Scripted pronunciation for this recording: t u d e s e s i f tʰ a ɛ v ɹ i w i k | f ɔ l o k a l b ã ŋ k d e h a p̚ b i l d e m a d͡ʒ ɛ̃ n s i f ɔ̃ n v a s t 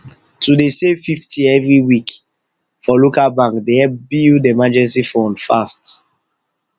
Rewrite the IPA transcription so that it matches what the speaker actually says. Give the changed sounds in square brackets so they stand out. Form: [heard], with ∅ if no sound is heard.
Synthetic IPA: t u d e s e [f] i f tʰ [i] ɛ v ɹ i w i k | f ɔ l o k a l b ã ŋ k d e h [ɛ] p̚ b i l d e m a d͡ʒ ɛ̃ n s i f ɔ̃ n [f] a s t